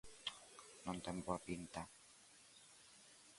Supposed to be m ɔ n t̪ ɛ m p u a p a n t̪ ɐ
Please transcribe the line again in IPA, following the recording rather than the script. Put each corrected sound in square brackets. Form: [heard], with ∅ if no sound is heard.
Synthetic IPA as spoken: [n] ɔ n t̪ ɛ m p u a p [i] n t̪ [a]